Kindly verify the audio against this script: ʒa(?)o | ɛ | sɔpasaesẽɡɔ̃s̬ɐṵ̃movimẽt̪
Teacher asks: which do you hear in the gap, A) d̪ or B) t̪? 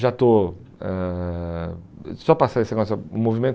B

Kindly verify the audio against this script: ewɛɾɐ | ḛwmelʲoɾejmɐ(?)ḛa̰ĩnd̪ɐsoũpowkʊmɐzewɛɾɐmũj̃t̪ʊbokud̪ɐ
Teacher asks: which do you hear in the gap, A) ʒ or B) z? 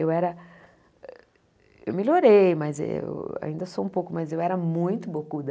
B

